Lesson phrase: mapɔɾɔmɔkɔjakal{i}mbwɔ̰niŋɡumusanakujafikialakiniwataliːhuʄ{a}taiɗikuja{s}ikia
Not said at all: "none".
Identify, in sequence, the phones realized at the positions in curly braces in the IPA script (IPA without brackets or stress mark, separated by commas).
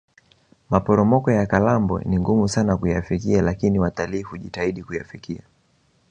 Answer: a, i, f